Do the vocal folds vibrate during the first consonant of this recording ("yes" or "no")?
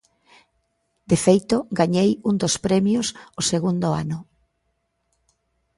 yes